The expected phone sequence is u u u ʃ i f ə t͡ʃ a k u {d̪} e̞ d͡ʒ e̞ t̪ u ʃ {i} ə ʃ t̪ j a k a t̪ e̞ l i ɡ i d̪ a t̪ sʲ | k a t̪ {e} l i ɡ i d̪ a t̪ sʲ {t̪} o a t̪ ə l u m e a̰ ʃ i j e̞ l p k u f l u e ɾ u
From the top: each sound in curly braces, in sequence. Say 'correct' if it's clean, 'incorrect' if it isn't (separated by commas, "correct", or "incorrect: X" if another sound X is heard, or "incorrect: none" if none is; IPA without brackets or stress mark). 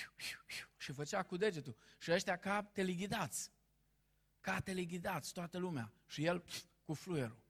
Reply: correct, correct, correct, correct